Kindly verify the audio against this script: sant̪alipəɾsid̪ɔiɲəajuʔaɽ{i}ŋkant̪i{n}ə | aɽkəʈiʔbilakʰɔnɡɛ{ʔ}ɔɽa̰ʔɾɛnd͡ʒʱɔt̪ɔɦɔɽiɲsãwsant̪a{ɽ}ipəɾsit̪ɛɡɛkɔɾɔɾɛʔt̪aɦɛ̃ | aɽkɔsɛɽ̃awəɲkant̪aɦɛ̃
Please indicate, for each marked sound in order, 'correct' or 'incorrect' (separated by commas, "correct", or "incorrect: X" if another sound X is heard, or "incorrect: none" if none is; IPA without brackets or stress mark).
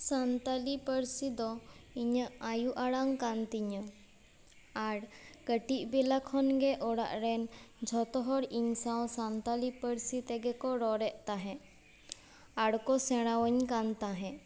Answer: incorrect: a, incorrect: ɲ, correct, incorrect: l